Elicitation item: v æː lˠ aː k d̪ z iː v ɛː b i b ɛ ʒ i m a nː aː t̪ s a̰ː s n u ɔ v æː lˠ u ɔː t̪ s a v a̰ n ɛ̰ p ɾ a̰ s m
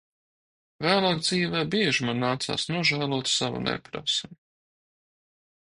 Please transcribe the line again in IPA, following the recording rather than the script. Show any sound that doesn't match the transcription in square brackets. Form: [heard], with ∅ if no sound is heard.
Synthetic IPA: v æː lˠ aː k d̪ z iː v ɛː b i [∅] ɛ ʒ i m a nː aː t̪ s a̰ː s n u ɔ [ʒ] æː lˠ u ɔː t̪ s a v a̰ n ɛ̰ p ɾ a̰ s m